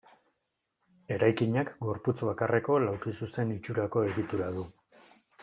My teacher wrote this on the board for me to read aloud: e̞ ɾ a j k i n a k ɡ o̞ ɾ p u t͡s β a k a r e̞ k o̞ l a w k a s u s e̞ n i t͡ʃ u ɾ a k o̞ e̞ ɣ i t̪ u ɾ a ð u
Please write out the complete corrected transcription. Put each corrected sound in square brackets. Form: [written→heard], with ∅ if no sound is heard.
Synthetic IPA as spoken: e̞ ɾ a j k i [n→ɲ] a k ɡ o̞ ɾ p u t͡s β a k a r e̞ k o̞ l a w k [a→i] s u s e̞ n i t͡ʃ u ɾ a k o̞ e̞ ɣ i t̪ u ɾ a ð u